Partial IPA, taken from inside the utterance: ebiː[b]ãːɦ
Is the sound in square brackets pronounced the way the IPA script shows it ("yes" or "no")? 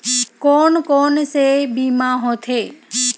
no